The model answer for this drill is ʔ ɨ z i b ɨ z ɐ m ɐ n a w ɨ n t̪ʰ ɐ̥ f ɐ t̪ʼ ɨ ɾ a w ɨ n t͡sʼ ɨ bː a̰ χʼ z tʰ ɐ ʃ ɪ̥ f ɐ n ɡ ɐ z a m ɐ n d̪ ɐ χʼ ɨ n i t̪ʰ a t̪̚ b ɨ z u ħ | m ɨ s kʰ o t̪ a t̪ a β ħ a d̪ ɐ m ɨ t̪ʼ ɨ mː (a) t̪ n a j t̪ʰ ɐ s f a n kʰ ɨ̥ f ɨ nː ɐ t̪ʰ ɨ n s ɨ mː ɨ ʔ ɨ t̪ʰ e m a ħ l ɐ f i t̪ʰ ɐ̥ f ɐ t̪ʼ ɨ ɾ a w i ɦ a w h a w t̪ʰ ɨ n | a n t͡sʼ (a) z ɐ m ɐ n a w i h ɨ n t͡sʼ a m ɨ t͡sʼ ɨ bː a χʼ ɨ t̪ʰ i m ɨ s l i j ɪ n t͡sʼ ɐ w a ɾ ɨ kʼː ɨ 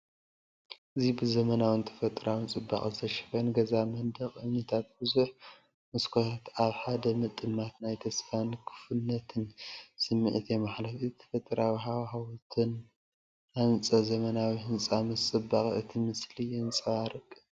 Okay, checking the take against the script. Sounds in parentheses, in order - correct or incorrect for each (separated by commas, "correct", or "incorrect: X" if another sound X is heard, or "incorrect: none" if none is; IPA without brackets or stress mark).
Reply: correct, incorrect: ɐ